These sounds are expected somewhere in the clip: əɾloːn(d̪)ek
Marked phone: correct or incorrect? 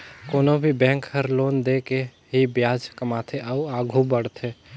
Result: correct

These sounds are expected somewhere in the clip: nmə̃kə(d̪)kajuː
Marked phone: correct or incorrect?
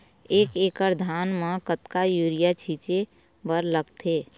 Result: incorrect: t̪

